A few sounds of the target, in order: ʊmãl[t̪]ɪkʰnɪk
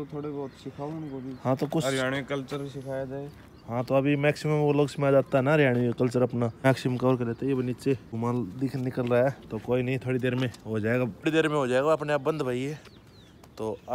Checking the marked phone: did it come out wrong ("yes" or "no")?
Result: yes